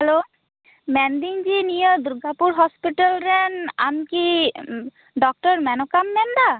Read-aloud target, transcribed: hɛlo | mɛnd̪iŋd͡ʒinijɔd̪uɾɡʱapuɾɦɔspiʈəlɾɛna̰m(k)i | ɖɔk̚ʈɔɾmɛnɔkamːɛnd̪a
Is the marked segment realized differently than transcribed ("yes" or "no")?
no